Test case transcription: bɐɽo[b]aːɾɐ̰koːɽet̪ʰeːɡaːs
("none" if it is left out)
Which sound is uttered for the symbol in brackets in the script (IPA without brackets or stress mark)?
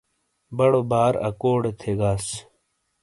b